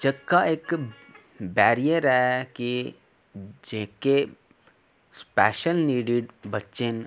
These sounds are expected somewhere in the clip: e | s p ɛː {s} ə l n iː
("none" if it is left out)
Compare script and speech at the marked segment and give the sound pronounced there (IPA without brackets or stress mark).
ʃ